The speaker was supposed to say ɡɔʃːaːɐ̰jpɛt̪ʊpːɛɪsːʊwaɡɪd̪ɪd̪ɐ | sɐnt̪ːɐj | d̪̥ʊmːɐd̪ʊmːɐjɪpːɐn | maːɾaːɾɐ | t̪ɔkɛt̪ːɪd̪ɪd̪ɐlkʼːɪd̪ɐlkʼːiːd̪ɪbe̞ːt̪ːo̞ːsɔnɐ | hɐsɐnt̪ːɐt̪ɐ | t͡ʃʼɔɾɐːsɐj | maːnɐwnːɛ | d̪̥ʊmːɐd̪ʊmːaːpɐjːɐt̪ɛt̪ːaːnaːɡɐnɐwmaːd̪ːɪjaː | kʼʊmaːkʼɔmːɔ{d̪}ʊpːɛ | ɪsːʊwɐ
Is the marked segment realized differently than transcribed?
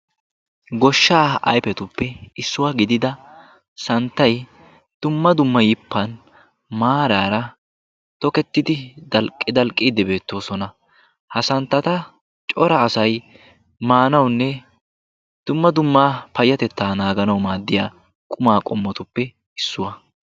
yes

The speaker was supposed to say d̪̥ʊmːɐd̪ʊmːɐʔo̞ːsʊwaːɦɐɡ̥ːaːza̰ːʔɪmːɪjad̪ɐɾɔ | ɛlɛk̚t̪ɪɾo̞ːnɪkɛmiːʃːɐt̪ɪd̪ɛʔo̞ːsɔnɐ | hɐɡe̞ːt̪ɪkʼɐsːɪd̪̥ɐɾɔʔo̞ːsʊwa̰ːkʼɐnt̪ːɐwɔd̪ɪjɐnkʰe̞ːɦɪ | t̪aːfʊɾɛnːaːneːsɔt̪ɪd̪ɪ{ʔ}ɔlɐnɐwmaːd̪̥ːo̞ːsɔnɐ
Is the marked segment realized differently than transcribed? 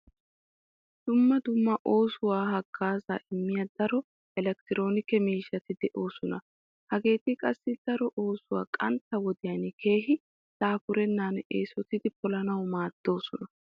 yes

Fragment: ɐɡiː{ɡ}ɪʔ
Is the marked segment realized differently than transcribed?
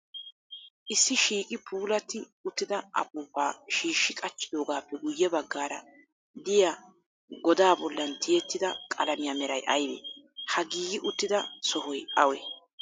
no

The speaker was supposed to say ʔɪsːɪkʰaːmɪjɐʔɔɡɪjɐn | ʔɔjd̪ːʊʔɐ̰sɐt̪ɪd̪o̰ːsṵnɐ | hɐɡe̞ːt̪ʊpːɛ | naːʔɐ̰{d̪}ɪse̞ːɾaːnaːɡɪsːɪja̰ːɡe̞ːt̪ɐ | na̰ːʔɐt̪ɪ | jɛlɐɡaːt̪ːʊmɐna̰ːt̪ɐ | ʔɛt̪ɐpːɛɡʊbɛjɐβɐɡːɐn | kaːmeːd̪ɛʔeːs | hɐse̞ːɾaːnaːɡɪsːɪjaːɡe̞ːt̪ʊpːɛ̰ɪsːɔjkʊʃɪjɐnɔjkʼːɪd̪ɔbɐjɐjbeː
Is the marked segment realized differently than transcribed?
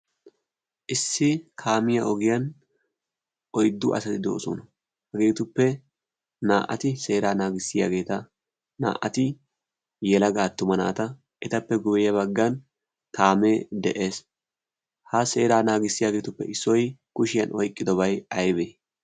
yes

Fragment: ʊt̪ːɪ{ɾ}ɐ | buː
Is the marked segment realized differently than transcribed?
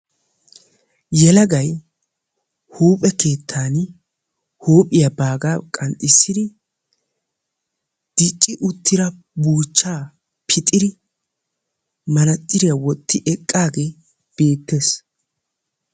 no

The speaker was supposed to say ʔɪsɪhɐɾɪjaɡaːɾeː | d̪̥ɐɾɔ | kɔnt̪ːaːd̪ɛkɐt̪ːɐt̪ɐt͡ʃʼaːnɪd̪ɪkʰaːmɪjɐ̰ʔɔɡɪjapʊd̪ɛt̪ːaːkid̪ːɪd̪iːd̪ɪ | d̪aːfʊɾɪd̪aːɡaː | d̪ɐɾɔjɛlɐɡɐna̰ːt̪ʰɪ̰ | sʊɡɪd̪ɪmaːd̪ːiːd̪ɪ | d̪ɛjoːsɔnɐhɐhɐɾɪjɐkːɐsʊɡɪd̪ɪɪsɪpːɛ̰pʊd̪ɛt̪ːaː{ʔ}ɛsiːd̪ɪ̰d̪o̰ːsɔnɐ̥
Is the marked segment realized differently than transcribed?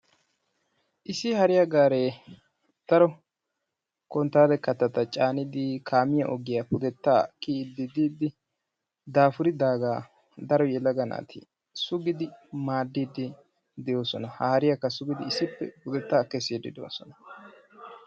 yes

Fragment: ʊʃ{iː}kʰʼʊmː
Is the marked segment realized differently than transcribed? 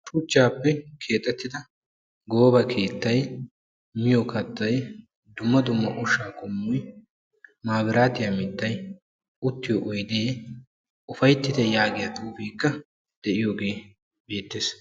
yes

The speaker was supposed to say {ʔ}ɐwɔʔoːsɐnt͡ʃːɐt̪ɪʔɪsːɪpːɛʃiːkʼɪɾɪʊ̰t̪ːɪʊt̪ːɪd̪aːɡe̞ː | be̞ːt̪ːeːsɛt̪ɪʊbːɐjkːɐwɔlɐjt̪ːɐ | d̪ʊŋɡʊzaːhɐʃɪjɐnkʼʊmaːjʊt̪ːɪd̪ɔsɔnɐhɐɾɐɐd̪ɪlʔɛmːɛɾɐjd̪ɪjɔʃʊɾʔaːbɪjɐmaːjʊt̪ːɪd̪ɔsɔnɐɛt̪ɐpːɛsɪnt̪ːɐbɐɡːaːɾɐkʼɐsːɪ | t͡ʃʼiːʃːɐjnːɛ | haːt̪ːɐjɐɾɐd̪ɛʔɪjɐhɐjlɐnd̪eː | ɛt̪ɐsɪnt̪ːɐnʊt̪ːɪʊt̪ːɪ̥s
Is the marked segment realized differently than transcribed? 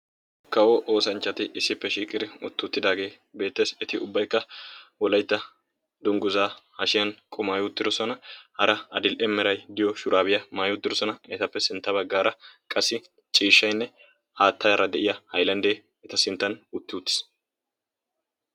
yes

